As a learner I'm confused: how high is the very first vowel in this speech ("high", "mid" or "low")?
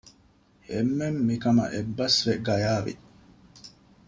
mid